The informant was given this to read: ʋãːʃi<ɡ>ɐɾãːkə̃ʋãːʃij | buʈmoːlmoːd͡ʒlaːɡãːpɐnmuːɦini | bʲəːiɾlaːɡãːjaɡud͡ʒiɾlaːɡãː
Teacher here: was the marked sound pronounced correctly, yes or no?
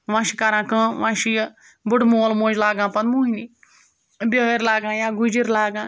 no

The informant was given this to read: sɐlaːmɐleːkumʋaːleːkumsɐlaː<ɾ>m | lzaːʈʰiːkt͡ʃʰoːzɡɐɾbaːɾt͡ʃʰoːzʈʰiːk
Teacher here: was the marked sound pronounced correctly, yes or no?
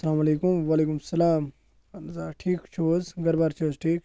no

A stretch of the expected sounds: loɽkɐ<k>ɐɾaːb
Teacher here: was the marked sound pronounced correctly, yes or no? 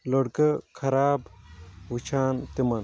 no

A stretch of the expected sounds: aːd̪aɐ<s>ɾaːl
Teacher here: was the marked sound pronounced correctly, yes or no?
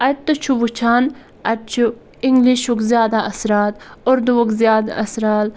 yes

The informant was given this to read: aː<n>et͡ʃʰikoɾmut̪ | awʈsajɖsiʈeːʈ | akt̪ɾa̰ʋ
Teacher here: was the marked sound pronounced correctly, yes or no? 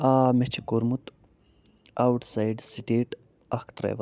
no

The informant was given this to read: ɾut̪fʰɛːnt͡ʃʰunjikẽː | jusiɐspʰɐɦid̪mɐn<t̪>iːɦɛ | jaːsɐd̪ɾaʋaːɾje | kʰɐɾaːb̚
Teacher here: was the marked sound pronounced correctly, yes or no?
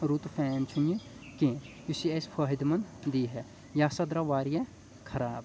no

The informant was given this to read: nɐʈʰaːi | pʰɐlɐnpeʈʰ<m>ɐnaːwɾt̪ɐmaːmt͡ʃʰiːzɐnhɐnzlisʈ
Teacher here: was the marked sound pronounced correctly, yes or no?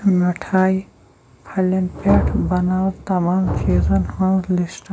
no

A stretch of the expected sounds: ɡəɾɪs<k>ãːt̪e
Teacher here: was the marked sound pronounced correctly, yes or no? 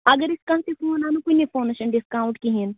yes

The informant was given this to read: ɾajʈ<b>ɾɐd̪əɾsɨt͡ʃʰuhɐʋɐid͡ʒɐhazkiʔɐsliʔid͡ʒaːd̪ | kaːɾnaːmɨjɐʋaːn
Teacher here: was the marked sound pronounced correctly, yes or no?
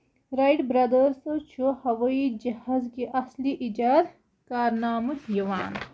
yes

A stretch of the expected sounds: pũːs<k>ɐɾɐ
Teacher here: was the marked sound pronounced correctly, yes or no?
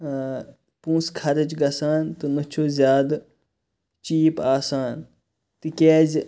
no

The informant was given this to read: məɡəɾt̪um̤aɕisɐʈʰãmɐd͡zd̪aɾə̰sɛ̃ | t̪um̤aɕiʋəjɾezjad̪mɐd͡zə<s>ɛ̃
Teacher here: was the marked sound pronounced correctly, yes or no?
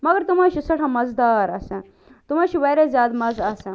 yes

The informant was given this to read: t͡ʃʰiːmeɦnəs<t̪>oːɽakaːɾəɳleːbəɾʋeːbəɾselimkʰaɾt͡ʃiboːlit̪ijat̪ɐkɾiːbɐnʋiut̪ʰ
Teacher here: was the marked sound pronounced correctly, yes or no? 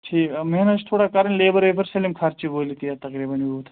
no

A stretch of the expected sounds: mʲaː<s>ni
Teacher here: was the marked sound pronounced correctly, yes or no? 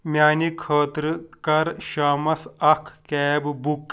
no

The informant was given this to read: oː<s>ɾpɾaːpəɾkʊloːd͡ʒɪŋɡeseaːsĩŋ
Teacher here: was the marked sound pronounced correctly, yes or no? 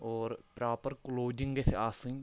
no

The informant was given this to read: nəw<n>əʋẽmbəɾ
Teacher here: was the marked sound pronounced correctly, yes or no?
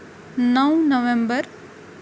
yes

